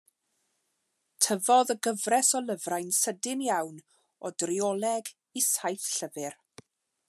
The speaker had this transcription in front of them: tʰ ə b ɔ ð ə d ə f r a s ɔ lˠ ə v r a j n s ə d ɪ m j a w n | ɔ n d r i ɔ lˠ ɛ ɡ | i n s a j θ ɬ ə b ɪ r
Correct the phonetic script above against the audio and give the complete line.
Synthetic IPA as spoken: tʰ ə v ɔ ð ə ɡ ə v r ɛ s ɔ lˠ ə v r a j n s ə d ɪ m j a w n | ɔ d r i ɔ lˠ ɛ ɡ | i s a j θ ɬ ə v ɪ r